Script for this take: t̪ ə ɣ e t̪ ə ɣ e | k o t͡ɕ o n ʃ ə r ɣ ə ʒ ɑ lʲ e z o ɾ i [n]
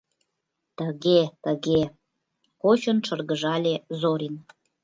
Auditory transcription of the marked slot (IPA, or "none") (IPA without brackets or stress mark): n